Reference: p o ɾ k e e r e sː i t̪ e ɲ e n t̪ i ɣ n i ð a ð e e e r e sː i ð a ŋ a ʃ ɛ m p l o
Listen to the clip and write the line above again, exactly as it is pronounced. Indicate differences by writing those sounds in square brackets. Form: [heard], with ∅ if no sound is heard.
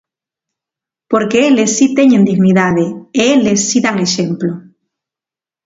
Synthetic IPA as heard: p o ɾ k e e [l] e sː i t̪ e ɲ e n [d̪] i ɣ n i ð a ð e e e [l] e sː i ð a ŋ [e] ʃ [e] m p l o